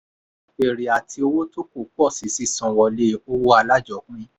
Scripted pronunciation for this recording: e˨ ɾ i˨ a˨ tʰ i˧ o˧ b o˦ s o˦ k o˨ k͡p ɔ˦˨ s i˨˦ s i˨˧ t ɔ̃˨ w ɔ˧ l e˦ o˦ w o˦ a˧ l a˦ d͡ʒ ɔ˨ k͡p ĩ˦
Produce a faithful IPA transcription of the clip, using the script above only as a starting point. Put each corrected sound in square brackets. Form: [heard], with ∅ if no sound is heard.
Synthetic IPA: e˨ ɾ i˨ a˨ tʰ i˧ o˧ [w] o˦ [t] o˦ k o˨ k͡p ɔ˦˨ s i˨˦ s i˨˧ [s] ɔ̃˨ w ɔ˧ l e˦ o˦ w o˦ a˧ l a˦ d͡ʒ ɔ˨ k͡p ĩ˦